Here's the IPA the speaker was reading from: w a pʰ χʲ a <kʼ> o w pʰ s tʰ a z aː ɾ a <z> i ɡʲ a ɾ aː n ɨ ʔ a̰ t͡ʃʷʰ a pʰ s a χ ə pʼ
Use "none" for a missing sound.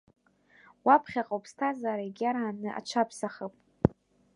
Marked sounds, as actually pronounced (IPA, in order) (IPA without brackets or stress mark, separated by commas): qʼ, none